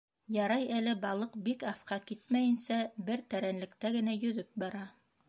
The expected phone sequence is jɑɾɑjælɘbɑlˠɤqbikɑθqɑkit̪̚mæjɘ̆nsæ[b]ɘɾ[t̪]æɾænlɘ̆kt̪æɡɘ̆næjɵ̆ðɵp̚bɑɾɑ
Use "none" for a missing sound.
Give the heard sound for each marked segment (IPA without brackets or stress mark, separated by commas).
b, t̪